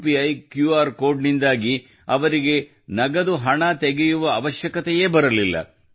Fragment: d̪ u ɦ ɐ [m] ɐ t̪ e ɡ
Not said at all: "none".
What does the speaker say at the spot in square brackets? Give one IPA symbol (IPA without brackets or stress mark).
ɳ